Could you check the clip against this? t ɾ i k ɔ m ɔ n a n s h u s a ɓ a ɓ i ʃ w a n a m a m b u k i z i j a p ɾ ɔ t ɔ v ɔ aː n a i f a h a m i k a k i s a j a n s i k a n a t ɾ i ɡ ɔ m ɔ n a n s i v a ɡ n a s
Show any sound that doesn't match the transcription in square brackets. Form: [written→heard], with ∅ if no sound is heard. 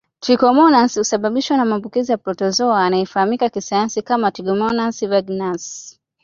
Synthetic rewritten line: t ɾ i k ɔ m ɔ n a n s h u s a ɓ a ɓ i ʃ w a n a m a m b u k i z i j a p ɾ ɔ t ɔ [v→z] ɔ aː n a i f a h a m i k a k i s a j a n s i k a [n→m] a t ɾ i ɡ ɔ m ɔ n a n s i v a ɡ n a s